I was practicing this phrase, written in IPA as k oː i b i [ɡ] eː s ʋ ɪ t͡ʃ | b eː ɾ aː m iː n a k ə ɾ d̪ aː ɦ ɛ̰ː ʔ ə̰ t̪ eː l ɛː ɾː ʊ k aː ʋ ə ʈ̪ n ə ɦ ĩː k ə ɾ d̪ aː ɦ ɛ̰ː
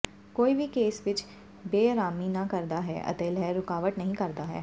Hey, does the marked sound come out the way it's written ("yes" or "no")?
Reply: no